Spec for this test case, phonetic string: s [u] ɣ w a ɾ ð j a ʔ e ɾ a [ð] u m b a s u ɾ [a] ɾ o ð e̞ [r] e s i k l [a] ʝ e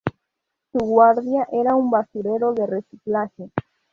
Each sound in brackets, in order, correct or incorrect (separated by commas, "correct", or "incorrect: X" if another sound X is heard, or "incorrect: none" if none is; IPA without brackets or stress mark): correct, incorrect: none, incorrect: e, correct, correct